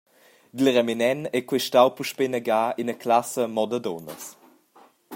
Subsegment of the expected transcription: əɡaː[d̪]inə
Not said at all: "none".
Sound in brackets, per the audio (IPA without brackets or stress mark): none